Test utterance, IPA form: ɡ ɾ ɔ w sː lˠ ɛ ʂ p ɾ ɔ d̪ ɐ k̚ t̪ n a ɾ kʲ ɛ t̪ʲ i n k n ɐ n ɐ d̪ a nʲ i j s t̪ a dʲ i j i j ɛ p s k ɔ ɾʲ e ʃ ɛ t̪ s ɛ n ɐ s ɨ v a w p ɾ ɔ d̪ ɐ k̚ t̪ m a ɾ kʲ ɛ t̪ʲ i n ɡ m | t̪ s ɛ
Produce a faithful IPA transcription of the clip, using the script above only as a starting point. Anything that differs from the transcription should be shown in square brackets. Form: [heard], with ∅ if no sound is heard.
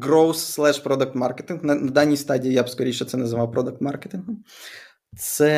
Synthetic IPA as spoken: ɡ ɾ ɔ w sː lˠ ɛ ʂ p ɾ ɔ d̪ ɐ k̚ t̪ [m] a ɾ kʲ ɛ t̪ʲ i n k n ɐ n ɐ d̪ a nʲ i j s t̪ a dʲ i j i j [a] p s k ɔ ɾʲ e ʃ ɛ t̪ s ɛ n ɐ [z] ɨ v a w p ɾ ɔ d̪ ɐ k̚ t̪ m a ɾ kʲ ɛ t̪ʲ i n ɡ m | t̪ s ɛ